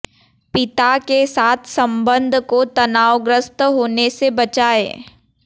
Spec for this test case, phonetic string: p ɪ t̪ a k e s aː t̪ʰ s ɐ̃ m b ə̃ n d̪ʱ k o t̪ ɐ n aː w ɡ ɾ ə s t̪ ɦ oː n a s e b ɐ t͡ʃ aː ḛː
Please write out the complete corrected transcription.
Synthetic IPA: p ɪ t̪ a k e s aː t̪ʰ s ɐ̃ m b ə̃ n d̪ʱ k o t̪ ɐ n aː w ɡ ɾ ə s t̪ ɦ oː n e s e b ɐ t͡ʃ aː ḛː